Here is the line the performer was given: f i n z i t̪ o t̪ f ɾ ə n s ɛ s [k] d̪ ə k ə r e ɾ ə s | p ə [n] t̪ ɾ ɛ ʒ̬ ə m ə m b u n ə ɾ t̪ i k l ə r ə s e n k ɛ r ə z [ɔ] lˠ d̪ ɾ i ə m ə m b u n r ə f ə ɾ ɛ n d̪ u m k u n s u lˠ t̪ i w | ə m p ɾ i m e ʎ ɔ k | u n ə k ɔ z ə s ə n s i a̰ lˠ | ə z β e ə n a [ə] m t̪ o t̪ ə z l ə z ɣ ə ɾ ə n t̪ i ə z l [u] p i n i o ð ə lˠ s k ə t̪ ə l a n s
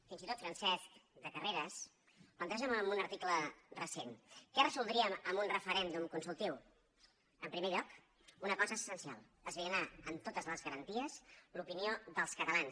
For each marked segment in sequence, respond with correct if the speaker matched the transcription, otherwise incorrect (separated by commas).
correct, correct, incorrect, correct, correct